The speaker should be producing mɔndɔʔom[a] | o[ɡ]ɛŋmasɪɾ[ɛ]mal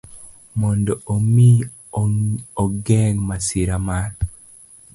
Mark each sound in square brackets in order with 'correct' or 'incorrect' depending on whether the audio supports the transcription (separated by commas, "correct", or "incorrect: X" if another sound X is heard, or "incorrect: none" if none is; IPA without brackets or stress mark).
incorrect: i, correct, incorrect: a